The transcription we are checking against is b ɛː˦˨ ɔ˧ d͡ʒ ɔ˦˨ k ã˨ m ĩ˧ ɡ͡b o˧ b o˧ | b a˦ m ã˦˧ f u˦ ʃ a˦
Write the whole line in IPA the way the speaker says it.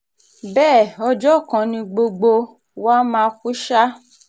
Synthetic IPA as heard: b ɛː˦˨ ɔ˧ d͡ʒ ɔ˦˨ k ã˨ n ĩ˧ ɡ͡b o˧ ɡ͡b o˧ | w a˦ m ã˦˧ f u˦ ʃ a˦